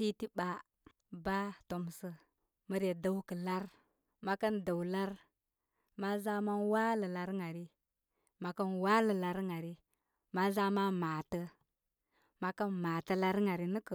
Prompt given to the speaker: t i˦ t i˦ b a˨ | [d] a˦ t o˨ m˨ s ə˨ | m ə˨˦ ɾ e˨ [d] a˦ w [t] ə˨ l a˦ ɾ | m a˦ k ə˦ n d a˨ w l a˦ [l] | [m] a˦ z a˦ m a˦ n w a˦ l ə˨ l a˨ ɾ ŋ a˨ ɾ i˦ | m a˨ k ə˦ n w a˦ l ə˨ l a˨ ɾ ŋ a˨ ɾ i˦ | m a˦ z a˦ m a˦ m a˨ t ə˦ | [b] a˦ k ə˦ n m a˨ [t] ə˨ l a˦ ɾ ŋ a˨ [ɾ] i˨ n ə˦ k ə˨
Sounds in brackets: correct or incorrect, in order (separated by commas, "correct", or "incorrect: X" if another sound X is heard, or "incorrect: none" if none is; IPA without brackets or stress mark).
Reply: incorrect: b, correct, incorrect: k, incorrect: ɾ, correct, incorrect: m, correct, correct